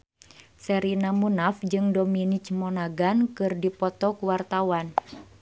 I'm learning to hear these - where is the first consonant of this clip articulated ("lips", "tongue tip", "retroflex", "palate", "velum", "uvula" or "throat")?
tongue tip